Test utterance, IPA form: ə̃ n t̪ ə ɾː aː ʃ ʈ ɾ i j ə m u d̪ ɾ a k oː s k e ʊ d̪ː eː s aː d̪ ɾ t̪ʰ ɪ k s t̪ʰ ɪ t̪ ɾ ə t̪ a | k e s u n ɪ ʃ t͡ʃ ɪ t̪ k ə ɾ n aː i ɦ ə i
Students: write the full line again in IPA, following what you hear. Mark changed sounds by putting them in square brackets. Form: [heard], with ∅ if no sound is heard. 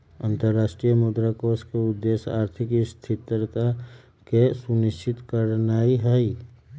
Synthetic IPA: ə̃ n t̪ ə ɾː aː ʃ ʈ ɾ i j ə m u d̪ ɾ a k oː s k e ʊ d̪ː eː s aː [∅] ɾ t̪ʰ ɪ k s t̪ʰ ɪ t̪ ɾ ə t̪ a | k e s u n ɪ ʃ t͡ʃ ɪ t̪ k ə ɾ n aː i ɦ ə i